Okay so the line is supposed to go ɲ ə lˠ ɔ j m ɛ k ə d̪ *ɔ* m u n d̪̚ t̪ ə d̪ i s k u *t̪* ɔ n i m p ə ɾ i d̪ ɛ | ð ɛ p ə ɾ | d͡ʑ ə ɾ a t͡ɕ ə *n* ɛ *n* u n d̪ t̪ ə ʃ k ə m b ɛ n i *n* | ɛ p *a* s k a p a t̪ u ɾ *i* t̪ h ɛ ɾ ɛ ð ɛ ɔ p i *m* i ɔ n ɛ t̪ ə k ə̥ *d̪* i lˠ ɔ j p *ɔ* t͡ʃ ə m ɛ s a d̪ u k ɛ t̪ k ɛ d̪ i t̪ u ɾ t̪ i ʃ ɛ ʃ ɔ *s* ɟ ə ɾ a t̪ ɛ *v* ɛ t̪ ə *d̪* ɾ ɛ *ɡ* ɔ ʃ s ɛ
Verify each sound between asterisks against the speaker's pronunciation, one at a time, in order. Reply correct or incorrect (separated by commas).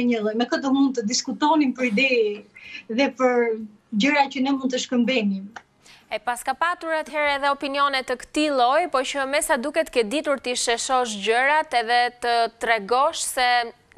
correct, correct, correct, incorrect, incorrect, correct, incorrect, incorrect, incorrect, correct, incorrect, incorrect, incorrect, correct